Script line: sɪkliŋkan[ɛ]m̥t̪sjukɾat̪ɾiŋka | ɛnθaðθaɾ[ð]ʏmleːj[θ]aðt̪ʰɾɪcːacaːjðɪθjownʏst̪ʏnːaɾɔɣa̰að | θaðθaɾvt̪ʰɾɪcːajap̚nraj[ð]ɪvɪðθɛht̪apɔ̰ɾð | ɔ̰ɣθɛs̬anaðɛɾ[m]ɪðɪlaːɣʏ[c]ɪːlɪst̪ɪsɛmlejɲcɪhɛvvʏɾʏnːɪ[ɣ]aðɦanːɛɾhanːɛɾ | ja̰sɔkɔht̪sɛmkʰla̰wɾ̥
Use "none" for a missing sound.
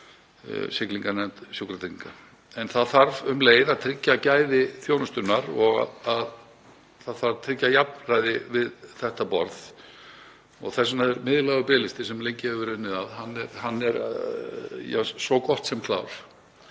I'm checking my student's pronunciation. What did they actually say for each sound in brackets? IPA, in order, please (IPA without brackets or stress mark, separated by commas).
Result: ɛ, v, ð, ð, m, p, ð